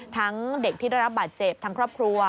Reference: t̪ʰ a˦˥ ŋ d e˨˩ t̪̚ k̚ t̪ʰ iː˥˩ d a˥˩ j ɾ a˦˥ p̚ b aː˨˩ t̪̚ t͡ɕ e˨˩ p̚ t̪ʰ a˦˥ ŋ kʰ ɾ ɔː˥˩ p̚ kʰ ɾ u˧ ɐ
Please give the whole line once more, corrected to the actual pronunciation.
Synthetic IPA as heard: t̪ʰ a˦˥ ŋ d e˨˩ k̚ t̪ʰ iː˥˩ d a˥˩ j ɾ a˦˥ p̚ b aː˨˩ t̪̚ t͡ɕ e˨˩ p̚ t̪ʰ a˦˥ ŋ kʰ ɾ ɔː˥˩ p̚ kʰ ɾ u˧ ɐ